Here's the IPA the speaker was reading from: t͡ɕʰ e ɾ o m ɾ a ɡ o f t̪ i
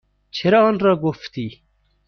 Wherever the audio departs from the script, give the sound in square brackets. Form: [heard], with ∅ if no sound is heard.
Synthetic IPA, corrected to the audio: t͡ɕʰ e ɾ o [n] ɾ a ɡ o f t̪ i

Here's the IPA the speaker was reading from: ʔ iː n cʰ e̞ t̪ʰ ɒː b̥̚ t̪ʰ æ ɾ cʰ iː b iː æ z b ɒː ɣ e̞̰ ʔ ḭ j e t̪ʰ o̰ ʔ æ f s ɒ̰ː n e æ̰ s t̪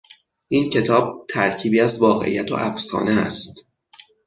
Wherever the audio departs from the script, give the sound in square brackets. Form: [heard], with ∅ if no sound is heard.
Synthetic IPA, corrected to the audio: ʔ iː n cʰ e̞ t̪ʰ ɒː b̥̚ t̪ʰ æ ɾ cʰ iː b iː æ z [v] ɒː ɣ e̞̰ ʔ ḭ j [æ] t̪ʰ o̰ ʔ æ f s ɒ̰ː n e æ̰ s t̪

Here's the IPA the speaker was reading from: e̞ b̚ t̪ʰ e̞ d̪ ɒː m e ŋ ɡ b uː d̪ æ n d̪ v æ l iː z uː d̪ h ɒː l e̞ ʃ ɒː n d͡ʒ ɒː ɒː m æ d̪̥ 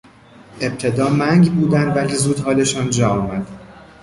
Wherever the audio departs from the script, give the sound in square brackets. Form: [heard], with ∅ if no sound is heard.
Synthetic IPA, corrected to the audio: e̞ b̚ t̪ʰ e̞ d̪ ɒː m [æ] ŋ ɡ b uː d̪ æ n d̪ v æ l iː z uː d̪ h ɒː l e̞ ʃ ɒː n d͡ʒ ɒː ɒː m æ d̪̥

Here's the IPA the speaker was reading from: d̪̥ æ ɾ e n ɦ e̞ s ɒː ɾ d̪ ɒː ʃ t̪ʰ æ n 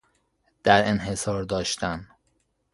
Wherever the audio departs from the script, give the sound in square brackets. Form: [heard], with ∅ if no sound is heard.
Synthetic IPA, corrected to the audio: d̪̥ æ ɾ e n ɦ e̞ s ɒː ɾ d̪ ɒː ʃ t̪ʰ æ n

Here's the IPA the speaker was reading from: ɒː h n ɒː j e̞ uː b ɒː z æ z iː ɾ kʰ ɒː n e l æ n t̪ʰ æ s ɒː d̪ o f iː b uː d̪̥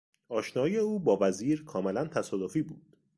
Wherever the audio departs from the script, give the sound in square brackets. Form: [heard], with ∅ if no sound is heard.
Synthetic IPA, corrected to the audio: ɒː [ʃ] n ɒː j e̞ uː b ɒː [v] æ z iː ɾ kʰ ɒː [m] e l æ n t̪ʰ æ s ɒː d̪ o f iː b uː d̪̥

